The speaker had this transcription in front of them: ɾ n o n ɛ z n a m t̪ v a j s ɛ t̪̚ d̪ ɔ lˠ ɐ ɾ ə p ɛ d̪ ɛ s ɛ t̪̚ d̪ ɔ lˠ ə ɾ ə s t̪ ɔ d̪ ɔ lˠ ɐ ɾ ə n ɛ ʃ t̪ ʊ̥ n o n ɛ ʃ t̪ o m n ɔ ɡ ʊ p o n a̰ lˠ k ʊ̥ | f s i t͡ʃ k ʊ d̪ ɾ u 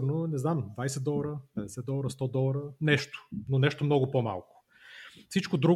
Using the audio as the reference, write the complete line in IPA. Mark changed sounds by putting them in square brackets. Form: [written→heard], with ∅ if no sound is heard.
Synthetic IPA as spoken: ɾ n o n ɛ z n a m [t̪→d̪] v a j s ɛ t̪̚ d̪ ɔ lˠ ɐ ɾ ə p ɛ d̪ ɛ s ɛ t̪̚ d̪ ɔ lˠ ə ɾ ə s t̪ ɔ d̪ ɔ lˠ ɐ ɾ ə n ɛ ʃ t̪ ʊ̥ n o n ɛ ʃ t̪ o m n ɔ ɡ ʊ p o [n→m] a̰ lˠ k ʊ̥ | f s i t͡ʃ k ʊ d̪ ɾ u